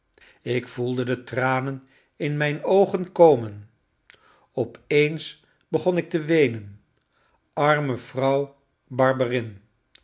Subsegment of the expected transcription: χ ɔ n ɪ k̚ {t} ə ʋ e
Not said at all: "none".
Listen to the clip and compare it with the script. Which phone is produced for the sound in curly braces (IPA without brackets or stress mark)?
t